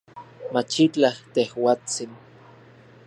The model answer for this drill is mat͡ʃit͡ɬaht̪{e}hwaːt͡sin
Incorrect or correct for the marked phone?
correct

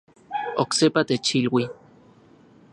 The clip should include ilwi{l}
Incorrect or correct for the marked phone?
incorrect: none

